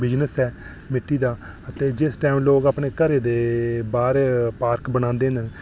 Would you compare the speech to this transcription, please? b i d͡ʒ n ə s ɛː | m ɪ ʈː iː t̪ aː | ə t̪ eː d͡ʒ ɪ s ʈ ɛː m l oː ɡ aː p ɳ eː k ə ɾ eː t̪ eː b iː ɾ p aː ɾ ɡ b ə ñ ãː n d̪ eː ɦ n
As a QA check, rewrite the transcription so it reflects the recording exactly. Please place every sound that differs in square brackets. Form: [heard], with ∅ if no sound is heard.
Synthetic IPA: b [ɪ] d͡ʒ n ə s ɛː | m ɪ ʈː iː [d̪] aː | ə t̪ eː d͡ʒ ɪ s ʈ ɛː m l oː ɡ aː p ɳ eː k ə ɾ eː [d̪] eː b [aː] ɾ p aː ɾ [k] b ə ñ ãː n d̪ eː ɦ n